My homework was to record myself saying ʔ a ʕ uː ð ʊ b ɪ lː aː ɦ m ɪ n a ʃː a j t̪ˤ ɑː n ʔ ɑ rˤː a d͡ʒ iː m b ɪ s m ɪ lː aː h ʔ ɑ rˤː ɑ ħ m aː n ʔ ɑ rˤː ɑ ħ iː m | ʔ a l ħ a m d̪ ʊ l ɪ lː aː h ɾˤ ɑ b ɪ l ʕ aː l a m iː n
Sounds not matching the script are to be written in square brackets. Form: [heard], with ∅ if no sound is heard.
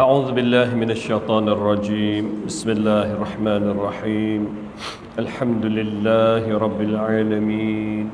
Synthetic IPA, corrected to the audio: ʔ a ʕ uː ð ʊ b ɪ lː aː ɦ m ɪ n a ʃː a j t̪ˤ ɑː n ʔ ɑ rˤː [ɑ] d͡ʒ iː m b ɪ s m ɪ lː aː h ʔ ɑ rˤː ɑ ħ m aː n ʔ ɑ rˤː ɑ ħ iː m | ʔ a l ħ a m d̪ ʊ l ɪ lː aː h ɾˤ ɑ [bː] ɪ l ʕ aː l a m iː n